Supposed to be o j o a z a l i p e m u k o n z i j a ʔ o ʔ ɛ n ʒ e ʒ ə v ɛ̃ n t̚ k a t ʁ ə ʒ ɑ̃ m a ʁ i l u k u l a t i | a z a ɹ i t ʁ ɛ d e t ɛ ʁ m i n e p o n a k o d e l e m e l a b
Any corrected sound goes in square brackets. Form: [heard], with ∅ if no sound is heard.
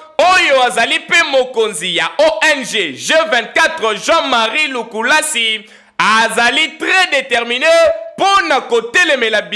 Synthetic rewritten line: o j o a z a l i p e m [o] k o n z i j a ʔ o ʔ ɛ n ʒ e ʒ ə v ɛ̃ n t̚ k a t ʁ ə ʒ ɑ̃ m a ʁ i l u k u l a [s] i | a z a [l] i t ʁ ɛ d e t ɛ ʁ m i n e p o n a k o [t] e l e m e l a b

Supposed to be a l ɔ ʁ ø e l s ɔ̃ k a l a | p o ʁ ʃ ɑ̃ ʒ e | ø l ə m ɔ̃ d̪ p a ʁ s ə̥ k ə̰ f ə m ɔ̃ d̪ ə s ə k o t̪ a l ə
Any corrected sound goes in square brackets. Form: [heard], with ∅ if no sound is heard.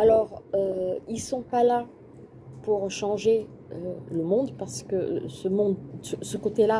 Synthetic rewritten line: a l ɔ ʁ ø [i] l s ɔ̃ [p] a l a | p [u] ʁ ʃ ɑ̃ ʒ e | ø l ə m ɔ̃ d̪ p a ʁ s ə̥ k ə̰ [s] ə m ɔ̃ d̪ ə s ə k o t̪ [e] l [a]

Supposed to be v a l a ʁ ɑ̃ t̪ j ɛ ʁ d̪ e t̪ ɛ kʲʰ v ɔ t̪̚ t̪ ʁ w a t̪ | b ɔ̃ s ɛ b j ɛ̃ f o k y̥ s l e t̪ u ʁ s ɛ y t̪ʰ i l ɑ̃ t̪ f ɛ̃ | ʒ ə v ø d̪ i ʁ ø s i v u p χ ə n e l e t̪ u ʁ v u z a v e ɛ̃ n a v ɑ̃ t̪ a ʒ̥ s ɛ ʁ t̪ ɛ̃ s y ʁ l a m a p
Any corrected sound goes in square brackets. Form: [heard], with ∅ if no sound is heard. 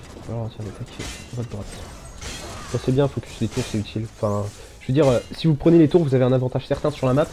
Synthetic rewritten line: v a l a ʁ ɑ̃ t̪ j ɛ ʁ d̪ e t̪ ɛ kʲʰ v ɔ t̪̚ [d̪] ʁ w a t̪ | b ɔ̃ s ɛ b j ɛ̃ f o k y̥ s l e t̪ u ʁ s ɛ y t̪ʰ i l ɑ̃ [∅] f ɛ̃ | ʒ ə v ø d̪ i ʁ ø s i v u p χ ə n e l e t̪ u ʁ v u z a v e ɛ̃ n a v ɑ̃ t̪ a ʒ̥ s ɛ ʁ t̪ ɛ̃ s y ʁ l a m a p

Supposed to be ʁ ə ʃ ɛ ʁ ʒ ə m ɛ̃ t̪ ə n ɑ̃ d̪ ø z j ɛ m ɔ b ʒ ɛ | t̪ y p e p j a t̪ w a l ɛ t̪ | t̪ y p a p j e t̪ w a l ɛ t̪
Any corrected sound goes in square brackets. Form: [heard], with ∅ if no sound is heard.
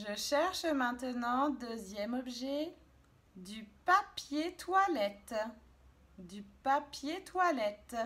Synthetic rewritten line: [ʒ] ə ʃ ɛ ʁ [ʃ] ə m ɛ̃ t̪ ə n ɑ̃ d̪ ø z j ɛ m ɔ b ʒ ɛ | [d̪] y p [a] p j [e] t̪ w a l ɛ t̪ | [d̪] y p a p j e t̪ w a l ɛ t̪

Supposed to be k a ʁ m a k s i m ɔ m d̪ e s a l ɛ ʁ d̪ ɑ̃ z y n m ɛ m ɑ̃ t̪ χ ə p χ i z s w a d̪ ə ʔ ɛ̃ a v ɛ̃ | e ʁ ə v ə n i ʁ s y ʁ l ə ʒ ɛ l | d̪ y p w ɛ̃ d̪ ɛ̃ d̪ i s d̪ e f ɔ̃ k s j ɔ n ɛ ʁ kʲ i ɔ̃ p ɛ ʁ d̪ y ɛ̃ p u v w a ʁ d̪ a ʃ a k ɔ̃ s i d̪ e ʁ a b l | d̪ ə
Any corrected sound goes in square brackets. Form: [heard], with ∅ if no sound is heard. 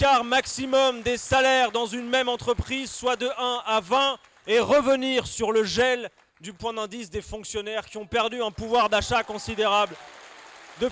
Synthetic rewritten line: k a ʁ m a k s i m ɔ m d̪ e s a l ɛ ʁ d̪ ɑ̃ z y n m ɛ m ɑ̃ t̪ χ ə p χ i z s w a d̪ ə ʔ ɛ̃ a v ɛ̃ | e ʁ ə v ə n i ʁ s y ʁ l ə ʒ ɛ l | d̪ y p w ɛ̃ d̪ ɛ̃ d̪ i s d̪ e f ɔ̃ k s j ɔ n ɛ ʁ kʲ i ɔ̃ p ɛ ʁ d̪ y ɛ̃ p u v w a ʁ d̪ a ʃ a k ɔ̃ s i d̪ e ʁ a b l | d̪ ə

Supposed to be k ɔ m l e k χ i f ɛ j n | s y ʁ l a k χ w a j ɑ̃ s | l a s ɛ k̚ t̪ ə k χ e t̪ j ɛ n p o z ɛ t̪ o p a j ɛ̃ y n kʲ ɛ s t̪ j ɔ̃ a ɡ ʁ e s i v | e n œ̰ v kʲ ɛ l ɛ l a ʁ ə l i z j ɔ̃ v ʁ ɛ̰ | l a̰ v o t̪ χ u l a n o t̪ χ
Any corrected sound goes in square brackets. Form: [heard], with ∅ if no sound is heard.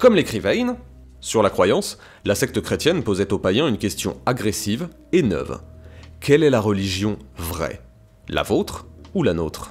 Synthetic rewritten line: k ɔ m l e k χ i [v] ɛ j n | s y ʁ l a k χ w a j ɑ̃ s | l a s ɛ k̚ t̪ ə k χ e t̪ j ɛ n p o z ɛ t̪ o p a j ɛ̃ y n kʲ ɛ s t̪ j ɔ̃ a ɡ ʁ e s i v | e n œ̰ v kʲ ɛ l ɛ l a ʁ ə l i [ʒ] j ɔ̃ v ʁ ɛ̰ | l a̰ v o t̪ χ u l a n o t̪ χ

